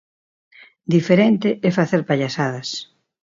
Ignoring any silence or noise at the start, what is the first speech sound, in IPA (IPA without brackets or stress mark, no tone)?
d̪